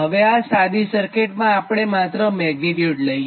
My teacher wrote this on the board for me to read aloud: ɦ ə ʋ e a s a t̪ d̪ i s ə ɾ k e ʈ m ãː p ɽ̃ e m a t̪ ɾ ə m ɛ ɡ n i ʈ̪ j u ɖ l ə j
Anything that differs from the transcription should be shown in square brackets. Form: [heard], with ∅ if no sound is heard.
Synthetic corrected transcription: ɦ ə ʋ e a s a [∅] d̪ i s ə ɾ k e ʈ m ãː p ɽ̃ e m a t̪ ɾ ə m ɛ ɡ n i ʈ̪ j u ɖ l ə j